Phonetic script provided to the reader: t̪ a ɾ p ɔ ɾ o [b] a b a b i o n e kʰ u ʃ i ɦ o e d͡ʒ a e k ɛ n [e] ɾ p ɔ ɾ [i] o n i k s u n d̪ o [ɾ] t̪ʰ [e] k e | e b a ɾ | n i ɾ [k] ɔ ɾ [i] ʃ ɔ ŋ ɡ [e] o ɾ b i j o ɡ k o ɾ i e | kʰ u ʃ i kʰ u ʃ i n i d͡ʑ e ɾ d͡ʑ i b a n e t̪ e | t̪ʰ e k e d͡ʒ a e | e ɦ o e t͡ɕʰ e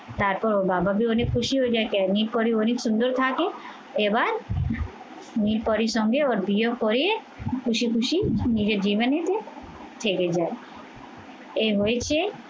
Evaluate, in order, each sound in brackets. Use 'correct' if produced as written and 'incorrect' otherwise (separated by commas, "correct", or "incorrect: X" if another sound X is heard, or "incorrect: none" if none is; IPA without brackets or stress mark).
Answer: correct, incorrect: i, correct, correct, incorrect: a, incorrect: p, correct, correct